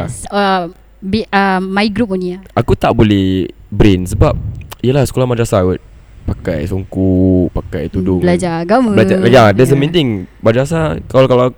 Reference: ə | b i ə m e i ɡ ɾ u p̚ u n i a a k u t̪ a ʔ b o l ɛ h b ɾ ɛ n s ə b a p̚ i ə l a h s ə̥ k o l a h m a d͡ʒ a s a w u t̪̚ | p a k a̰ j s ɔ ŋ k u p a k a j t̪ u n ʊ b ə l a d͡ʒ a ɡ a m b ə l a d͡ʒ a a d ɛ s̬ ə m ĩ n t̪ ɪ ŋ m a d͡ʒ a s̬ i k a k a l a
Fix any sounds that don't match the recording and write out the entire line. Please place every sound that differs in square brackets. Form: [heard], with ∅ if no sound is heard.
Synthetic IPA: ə | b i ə m [a] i ɡ ɾ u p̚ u n i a a k u t̪ a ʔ b o l ɛ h b ɾ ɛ n s ə b a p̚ i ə l a h s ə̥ k o l a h m a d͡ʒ a s a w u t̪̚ | p a k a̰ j s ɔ ŋ k u p a k a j t̪ u [d] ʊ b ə l a d͡ʒ a ɡ a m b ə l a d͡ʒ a a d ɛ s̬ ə m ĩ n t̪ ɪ ŋ m a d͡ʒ a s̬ [a] k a k a l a